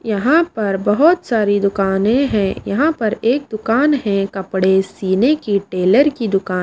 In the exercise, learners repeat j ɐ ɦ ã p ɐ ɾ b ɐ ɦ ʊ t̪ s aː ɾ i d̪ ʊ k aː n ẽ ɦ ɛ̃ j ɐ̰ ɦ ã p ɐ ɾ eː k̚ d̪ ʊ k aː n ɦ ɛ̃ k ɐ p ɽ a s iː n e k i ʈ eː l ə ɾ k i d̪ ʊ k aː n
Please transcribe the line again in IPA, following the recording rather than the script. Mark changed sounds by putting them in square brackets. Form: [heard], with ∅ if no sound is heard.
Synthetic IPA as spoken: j ɐ ɦ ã p ɐ ɾ b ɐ ɦ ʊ t̪ s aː ɾ i d̪ ʊ k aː n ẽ ɦ ɛ̃ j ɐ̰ ɦ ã p ɐ ɾ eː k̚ d̪ ʊ k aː n ɦ ɛ̃ k ɐ p ɽ [e] s iː n e k i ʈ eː l ə ɾ k i d̪ ʊ k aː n